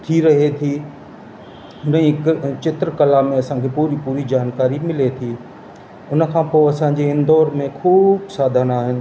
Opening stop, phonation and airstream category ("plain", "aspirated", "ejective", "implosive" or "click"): aspirated